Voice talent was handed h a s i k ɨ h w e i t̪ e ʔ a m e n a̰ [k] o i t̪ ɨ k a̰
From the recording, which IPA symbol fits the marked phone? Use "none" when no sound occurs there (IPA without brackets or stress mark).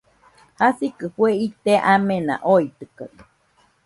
ʔ